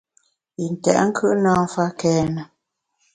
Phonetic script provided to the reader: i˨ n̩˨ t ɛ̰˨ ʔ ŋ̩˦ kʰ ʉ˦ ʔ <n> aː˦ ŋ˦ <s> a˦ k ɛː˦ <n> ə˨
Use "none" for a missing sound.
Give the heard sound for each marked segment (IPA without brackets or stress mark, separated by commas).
n, f, n